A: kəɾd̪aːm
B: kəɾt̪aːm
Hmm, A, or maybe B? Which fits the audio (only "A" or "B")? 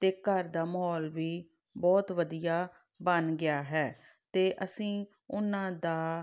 A